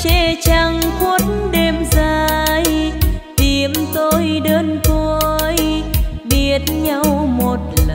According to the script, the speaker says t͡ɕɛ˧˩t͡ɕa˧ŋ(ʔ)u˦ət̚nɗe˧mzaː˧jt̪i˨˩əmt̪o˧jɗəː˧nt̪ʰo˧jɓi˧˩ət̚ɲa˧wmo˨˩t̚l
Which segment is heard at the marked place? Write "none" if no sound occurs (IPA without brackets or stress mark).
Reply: k